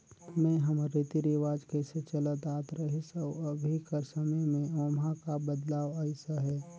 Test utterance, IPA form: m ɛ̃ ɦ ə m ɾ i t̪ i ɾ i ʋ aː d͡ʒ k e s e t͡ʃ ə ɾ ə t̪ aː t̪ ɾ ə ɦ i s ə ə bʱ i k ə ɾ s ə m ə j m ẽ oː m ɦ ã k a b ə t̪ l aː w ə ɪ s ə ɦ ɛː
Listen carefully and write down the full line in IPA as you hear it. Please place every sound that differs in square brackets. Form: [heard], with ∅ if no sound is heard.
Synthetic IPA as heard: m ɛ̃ ɦ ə m ɾ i t̪ i ɾ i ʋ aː d͡ʒ k e s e t͡ʃ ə [l] ə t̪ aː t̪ ɾ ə ɦ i s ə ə bʱ i k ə ɾ s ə m ə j m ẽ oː m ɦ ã k a b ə [d̪] l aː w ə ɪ s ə ɦ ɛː